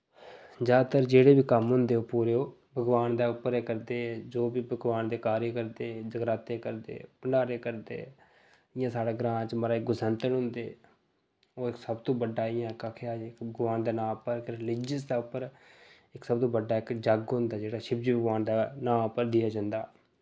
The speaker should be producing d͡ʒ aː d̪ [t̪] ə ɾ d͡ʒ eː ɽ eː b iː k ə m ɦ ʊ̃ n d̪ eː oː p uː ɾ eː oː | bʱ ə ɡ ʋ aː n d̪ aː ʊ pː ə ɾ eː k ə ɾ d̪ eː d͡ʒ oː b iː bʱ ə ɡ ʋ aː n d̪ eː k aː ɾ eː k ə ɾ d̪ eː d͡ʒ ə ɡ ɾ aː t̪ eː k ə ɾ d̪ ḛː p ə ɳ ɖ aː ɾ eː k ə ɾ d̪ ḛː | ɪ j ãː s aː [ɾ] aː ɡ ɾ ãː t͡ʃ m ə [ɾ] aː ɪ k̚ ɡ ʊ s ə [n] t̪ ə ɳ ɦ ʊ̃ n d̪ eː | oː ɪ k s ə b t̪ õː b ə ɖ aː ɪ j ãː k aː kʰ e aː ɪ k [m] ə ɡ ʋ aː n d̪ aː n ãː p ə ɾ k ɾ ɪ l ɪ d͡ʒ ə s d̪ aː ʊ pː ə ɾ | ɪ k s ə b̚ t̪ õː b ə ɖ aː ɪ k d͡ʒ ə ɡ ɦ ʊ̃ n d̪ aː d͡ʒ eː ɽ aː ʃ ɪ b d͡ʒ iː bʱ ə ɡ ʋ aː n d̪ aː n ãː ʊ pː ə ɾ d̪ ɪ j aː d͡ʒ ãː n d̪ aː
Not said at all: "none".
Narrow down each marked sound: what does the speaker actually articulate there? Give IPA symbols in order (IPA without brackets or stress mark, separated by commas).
t̪, ɽ, ɾ, n, b